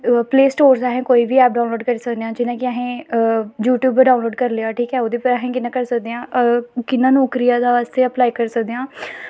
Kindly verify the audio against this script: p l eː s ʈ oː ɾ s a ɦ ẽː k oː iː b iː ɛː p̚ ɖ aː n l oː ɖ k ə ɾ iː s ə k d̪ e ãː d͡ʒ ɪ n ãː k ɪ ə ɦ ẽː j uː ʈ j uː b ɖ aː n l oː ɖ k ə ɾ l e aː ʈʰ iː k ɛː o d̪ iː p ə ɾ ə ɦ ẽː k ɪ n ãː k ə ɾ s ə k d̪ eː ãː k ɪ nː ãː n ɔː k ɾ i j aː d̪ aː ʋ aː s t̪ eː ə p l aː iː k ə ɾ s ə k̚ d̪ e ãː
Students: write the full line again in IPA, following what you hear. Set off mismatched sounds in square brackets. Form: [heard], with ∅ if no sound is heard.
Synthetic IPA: p l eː s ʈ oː ɾ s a ɦ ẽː k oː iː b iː ɛː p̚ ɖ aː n l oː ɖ k ə ɾ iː s ə k d̪ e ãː d͡ʒ ɪ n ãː k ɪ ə ɦ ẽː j uː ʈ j uː b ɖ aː n l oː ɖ k ə ɾ l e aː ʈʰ iː k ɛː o d̪ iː p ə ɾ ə ɦ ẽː k ɪ n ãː k ə ɾ s ə k d̪ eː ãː k ɪ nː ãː n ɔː k ɾ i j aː d̪ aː ʋ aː s t̪ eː ə p l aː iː k ə ɾ s ə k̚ d̪ e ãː